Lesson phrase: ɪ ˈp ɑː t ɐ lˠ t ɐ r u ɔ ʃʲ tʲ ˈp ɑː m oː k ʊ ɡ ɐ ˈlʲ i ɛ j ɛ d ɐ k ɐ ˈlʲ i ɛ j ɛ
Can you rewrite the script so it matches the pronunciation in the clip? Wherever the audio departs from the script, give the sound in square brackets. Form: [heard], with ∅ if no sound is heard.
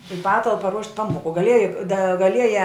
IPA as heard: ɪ ˈp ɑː t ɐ lˠ [p] ɐ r u ɔ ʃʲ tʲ ˈp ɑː m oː k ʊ ɡ ɐ ˈlʲ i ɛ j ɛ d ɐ [ɡ] ɐ ˈlʲ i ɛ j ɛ